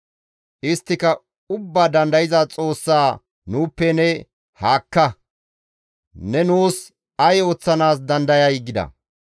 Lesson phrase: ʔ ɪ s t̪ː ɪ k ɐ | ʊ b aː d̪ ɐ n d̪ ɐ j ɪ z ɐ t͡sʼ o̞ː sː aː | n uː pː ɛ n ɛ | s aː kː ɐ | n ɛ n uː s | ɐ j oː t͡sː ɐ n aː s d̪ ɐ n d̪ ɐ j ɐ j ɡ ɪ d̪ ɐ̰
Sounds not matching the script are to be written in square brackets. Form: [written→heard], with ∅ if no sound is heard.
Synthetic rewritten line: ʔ ɪ s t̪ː ɪ k ɐ | ʊ [b→bː] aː d̪ ɐ n d̪ ɐ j ɪ z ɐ t͡sʼ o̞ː sː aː | n uː pː ɛ n ɛ | [s→h] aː kː ɐ | n ɛ n uː s | ɐ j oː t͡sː ɐ n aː s d̪ ɐ n d̪ ɐ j ɐ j ɡ ɪ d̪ ɐ̰